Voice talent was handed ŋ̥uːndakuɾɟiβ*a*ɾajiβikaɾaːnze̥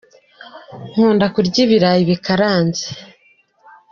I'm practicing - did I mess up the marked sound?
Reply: yes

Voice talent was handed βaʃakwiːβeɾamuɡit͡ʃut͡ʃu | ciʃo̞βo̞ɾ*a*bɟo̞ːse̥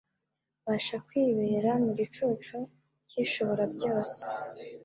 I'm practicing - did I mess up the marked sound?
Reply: no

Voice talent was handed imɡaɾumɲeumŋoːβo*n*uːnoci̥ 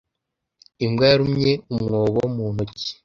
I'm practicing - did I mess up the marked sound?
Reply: yes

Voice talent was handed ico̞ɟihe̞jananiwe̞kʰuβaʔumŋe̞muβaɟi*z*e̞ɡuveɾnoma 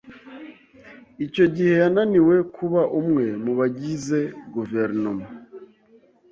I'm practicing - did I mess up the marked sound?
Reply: no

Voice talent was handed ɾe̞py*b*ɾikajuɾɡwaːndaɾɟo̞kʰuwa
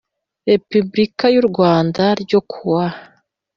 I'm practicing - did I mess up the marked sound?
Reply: no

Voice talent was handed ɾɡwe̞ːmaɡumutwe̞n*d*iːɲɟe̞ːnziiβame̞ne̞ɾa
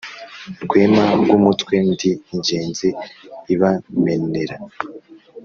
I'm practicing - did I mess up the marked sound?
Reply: no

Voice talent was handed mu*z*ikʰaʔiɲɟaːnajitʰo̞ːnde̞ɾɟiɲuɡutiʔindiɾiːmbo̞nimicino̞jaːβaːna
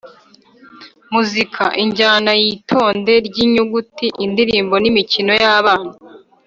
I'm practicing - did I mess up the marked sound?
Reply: no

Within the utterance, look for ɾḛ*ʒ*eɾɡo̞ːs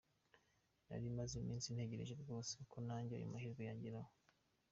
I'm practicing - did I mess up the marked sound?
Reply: no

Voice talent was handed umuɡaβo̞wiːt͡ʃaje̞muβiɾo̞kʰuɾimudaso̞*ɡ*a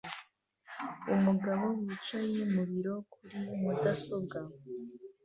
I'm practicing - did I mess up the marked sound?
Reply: no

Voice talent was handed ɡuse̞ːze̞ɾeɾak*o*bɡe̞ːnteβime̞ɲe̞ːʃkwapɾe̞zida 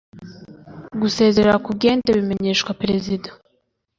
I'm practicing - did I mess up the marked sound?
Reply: yes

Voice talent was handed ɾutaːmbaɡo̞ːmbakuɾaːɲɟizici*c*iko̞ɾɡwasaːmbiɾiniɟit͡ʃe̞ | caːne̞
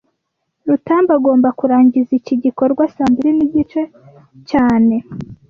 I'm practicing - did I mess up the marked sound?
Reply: yes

